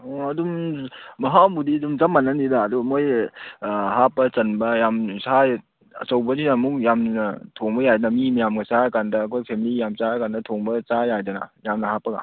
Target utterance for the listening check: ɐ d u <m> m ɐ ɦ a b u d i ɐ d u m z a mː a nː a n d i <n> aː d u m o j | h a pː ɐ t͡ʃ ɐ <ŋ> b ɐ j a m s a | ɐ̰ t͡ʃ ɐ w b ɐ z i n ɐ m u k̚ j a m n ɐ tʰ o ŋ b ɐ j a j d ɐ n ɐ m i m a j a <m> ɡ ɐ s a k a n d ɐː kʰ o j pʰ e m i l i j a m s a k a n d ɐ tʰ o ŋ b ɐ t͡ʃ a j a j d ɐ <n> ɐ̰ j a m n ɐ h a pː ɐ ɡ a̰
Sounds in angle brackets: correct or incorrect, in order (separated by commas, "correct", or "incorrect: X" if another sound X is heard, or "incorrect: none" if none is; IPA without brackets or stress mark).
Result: correct, incorrect: d, incorrect: n, correct, correct